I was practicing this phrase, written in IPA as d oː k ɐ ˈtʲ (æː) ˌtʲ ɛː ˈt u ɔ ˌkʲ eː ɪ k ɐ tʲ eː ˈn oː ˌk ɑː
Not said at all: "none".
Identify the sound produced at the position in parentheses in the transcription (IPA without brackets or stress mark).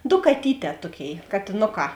iː